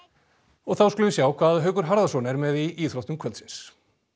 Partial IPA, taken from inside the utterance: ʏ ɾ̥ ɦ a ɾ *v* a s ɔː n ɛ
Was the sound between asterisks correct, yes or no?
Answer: no